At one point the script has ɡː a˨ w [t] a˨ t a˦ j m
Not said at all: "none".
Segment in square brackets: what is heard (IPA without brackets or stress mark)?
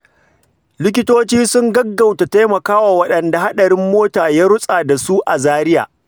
t